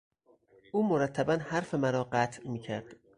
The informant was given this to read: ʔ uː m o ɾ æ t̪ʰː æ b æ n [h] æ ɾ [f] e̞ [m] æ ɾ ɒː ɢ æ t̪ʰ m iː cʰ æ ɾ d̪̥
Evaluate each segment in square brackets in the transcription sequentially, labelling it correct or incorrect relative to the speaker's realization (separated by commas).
correct, correct, correct